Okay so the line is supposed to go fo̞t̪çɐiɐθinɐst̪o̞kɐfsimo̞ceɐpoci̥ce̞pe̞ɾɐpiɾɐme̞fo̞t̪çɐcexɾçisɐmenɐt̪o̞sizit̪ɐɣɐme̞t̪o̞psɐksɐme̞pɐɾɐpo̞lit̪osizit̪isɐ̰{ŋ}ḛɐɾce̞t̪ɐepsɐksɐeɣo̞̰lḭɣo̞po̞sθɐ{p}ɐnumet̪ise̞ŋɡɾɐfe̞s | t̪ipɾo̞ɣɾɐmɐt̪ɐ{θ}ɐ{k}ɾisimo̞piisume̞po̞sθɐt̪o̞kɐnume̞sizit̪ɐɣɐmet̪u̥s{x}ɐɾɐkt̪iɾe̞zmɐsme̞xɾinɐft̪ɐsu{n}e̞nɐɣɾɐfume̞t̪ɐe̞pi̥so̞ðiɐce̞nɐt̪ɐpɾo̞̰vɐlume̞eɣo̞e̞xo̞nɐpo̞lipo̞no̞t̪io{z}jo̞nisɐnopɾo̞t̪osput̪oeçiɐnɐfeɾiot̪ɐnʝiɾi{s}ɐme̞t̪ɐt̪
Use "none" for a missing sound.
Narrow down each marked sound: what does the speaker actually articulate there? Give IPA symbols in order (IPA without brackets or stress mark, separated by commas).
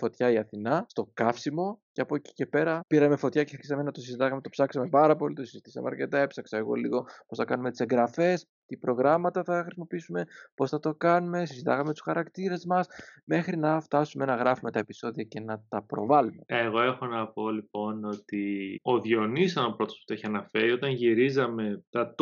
m, k, θ, x, x, m, ð, z